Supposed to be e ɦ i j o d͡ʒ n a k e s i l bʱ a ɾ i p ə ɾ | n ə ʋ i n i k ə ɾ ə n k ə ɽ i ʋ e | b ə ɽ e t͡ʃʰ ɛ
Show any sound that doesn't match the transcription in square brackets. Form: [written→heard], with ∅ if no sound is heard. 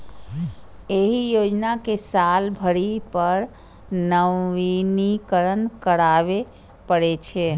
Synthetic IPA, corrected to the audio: e ɦ i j o d͡ʒ n a k e s [i→a] l bʱ [a→ə] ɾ i p ə ɾ | n ə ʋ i n i k ə ɾ ə n k ə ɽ [i→a] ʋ e | [b→p] ə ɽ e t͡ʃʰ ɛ